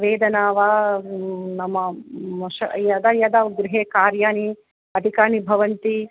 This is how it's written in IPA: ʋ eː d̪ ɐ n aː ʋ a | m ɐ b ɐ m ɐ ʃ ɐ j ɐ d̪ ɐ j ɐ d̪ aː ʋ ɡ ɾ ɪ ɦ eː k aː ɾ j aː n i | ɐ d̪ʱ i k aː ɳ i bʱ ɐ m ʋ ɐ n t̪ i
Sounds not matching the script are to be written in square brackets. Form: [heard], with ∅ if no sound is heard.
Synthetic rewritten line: ʋ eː d̪ ɐ n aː ʋ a | [n] ɐ [m] ɐ m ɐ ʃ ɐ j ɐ d̪ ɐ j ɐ d̪ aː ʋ ɡ ɾ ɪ ɦ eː k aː ɾ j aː n i | ɐ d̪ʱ i k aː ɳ i bʱ ɐ [∅] ʋ ɐ n t̪ i